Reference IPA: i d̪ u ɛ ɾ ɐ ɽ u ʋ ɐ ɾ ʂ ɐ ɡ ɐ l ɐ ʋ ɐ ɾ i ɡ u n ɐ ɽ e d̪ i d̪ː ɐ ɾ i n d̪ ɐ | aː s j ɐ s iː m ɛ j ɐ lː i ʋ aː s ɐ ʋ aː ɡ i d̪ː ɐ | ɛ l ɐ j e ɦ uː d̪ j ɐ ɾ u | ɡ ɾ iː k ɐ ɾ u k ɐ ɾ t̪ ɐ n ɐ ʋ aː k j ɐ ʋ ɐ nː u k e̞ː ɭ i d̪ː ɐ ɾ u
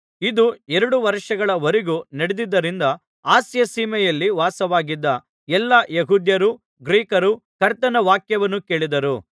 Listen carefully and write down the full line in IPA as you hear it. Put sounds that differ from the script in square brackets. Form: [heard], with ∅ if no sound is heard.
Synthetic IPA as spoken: i d̪ u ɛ ɾ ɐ ɽ u ʋ ɐ ɾ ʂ ɐ ɡ ɐ [ɭ] ɐ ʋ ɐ ɾ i ɡ u n ɐ ɽ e d̪ i d̪ː ɐ ɾ i n d̪ ɐ | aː s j ɐ s iː m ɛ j ɐ lː i ʋ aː s ɐ ʋ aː ɡ i d̪ː ɐ | ɛ [lː] ɐ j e ɦ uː d̪ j ɐ ɾ u | ɡ ɾ iː k ɐ ɾ u k ɐ ɾ t̪ ɐ n ɐ ʋ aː k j ɐ ʋ ɐ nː u k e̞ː ɭ i [d̪] ɐ ɾ u

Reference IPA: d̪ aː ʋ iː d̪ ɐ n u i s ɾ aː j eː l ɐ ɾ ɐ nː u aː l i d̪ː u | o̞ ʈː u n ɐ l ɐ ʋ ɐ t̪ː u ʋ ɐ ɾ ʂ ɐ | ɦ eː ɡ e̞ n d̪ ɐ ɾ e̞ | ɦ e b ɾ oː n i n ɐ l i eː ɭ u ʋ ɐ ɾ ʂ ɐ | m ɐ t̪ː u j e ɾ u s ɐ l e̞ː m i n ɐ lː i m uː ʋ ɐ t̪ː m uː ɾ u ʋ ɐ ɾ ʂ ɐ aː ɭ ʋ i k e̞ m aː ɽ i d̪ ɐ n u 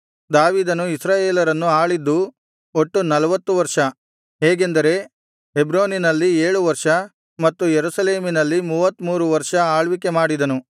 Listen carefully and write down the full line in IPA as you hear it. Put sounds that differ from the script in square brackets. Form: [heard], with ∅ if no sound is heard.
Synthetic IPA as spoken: d̪ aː ʋ iː d̪ ɐ n u i s ɾ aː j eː l ɐ ɾ ɐ nː u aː [ɭ] i d̪ː u | o̞ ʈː u n ɐ l ɐ ʋ ɐ t̪ː u ʋ ɐ ɾ ʂ ɐ | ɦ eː ɡ e̞ n d̪ ɐ ɾ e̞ | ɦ e b ɾ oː n i n ɐ [lː] i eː ɭ u ʋ ɐ ɾ ʂ ɐ | m ɐ t̪ː u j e ɾ u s ɐ l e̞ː m i n ɐ lː i m uː ʋ ɐ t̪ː m uː ɾ u ʋ ɐ ɾ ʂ ɐ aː ɭ ʋ i k e̞ m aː ɽ i d̪ ɐ n u

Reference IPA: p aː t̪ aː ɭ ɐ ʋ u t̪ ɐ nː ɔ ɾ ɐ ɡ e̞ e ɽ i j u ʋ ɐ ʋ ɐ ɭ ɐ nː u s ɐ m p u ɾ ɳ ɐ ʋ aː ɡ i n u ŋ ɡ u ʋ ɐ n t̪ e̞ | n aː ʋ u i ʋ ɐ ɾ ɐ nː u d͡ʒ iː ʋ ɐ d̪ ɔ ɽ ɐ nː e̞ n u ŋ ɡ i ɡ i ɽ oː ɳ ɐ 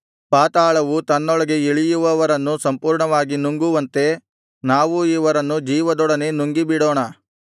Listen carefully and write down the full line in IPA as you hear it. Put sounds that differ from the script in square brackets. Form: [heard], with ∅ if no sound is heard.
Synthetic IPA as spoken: p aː t̪ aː ɭ ɐ ʋ u t̪ ɐ nː ɔ [ɭ] ɐ ɡ e̞ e [ɭ] i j u ʋ ɐ ʋ ɐ [ɾ] ɐ nː u s ɐ m p [uː] ɾ ɳ ɐ ʋ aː ɡ i n u ŋ ɡ u ʋ ɐ n t̪ e̞ | n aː ʋ u i ʋ ɐ ɾ ɐ nː u d͡ʒ iː ʋ ɐ d̪ ɔ ɽ ɐ [n] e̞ n u ŋ ɡ i [b] i ɽ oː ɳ ɐ

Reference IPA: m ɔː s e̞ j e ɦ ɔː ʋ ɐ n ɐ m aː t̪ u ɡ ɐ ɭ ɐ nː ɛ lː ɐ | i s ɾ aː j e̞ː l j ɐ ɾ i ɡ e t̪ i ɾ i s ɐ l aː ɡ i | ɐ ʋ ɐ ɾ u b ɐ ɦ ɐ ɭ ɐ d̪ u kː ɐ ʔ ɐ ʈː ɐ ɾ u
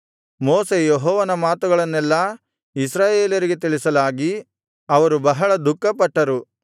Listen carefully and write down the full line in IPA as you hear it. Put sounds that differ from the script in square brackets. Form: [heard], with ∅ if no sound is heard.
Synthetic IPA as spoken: m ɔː s e̞ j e ɦ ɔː ʋ ɐ n ɐ m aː t̪ u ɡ ɐ ɭ ɐ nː ɛ lː ɐ | i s ɾ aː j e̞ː l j ɐ ɾ i ɡ e t̪ i [ɭ] i s ɐ l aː ɡ i | ɐ ʋ ɐ ɾ u b ɐ ɦ ɐ ɭ ɐ d̪ u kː ɐ [p] ɐ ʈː ɐ ɾ u

